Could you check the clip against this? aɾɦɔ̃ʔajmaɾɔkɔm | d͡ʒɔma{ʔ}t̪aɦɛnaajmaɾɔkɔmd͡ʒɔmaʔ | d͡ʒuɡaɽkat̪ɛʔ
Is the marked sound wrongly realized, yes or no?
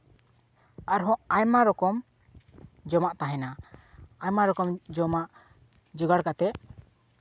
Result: no